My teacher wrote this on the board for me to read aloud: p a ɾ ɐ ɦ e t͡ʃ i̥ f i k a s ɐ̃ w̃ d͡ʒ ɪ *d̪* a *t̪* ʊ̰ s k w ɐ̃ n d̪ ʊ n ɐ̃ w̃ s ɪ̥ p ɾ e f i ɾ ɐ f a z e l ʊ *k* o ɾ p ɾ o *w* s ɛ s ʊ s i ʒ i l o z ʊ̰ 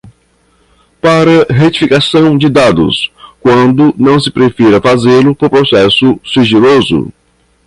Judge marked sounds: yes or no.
yes, no, no, no

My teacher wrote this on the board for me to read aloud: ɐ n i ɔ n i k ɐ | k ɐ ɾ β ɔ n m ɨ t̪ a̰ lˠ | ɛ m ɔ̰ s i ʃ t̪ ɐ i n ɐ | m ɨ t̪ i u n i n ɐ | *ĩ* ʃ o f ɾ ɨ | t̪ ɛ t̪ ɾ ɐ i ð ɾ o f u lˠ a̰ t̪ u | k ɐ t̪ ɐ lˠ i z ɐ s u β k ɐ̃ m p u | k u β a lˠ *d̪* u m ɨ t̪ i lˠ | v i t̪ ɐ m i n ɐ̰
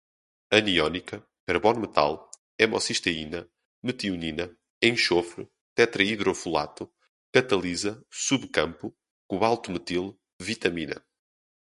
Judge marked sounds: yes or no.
no, no

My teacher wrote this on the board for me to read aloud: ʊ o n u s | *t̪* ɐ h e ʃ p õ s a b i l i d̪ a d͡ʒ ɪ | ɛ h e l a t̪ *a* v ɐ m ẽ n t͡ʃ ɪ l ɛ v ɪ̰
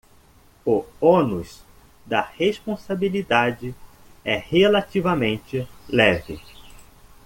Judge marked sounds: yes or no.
no, no

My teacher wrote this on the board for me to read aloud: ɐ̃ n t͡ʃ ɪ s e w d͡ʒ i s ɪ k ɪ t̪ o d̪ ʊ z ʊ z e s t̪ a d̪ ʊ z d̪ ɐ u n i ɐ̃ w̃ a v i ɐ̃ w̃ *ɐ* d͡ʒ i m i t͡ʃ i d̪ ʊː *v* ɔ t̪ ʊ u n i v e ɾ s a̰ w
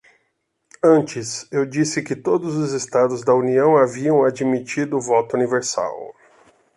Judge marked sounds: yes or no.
no, yes

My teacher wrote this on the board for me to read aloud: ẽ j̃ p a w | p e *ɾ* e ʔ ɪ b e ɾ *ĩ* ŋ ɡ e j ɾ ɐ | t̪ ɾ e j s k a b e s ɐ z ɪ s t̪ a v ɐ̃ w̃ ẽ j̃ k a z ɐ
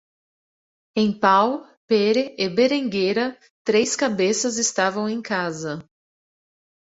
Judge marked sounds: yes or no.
yes, no

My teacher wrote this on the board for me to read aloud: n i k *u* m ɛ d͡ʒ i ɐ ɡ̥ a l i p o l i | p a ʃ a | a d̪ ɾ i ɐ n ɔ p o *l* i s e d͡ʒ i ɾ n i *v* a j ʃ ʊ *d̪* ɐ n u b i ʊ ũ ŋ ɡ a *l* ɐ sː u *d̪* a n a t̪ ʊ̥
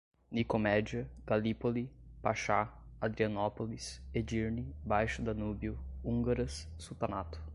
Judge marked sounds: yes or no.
no, yes, no, yes, no, no

